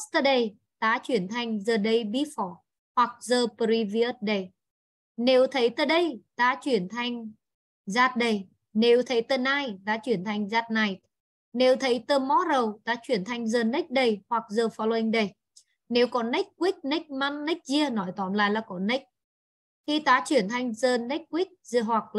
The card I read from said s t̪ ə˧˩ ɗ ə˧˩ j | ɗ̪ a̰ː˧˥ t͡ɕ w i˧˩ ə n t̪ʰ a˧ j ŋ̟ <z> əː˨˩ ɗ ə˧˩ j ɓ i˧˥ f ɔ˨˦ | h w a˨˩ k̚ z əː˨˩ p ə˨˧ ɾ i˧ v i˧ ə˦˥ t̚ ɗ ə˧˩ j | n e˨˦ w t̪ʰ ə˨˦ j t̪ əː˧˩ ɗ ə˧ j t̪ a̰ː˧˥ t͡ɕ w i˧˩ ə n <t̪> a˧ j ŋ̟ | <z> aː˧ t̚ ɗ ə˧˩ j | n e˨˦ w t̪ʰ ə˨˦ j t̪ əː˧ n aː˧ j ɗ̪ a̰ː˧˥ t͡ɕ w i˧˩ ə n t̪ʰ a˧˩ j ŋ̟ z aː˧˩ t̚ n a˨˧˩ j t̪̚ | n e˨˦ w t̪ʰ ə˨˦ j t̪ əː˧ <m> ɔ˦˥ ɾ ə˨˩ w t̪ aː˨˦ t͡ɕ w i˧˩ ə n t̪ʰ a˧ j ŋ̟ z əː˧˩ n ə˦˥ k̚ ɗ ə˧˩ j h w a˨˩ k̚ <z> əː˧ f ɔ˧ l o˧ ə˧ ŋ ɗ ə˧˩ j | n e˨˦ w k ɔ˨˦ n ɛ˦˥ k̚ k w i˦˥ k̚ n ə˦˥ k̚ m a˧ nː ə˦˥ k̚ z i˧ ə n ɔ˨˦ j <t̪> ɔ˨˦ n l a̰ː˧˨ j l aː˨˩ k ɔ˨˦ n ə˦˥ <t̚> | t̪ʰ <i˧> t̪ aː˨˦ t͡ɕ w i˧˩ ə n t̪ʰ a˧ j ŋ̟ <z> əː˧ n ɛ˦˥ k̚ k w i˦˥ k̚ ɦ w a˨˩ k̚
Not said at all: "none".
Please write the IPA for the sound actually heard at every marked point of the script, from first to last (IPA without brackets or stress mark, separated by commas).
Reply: z, t̪ʰ, z, m, z, t̪, k̚, i˧, z